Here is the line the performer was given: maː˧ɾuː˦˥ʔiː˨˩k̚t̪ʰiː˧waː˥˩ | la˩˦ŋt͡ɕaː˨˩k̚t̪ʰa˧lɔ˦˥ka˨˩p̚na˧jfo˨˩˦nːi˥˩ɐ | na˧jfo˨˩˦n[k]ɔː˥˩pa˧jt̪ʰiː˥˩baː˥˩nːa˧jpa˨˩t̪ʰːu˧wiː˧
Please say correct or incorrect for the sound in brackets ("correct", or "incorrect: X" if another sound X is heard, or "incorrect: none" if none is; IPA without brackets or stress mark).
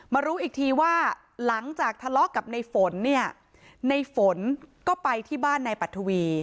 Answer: correct